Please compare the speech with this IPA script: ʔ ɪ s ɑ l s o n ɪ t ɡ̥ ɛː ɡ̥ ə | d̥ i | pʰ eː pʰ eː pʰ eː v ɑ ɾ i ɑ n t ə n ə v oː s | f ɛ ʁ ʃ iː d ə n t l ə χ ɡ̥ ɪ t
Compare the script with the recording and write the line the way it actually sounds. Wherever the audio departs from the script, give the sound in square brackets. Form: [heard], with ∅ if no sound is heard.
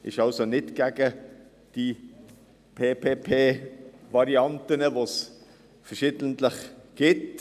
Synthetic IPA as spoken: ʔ ɪ [ʃ] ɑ l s o n ɪ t ɡ̥ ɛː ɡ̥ ə | d̥ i | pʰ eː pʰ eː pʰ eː v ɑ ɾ i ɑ n t ə n ə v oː s | f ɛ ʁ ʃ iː d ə n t l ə χ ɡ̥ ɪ t